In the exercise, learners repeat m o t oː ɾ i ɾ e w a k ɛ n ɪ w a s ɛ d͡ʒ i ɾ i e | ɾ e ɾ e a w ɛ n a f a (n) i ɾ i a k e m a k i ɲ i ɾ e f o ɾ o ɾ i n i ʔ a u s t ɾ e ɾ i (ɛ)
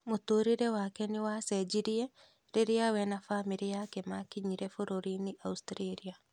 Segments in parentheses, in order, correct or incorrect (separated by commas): incorrect, incorrect